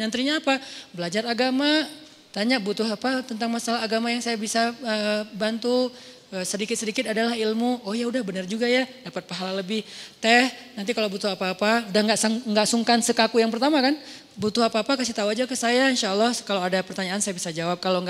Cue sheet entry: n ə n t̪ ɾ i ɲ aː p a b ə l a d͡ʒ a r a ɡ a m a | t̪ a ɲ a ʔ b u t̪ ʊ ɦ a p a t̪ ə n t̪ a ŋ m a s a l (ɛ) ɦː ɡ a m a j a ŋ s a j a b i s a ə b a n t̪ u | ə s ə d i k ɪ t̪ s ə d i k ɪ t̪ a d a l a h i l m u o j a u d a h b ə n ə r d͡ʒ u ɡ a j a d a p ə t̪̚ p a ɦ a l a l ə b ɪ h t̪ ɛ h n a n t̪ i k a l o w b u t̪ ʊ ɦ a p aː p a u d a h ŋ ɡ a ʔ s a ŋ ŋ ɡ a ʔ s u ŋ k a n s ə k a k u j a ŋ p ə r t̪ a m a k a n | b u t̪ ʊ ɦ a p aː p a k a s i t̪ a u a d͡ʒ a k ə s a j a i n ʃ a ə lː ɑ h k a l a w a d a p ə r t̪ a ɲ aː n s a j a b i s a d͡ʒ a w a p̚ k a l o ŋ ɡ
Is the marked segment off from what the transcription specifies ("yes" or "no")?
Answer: yes